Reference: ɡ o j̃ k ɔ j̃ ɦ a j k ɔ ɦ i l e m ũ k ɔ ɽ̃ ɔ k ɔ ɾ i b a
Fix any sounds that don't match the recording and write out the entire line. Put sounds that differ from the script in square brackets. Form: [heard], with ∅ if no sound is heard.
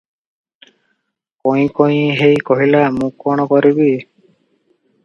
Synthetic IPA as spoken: [k] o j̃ k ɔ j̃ ɦ [e] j k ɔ ɦ i l [a] m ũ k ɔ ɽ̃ ɔ k ɔ ɾ i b [i]